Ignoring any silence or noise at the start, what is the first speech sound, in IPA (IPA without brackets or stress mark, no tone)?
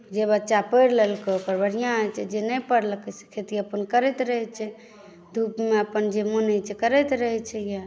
d͡ʒ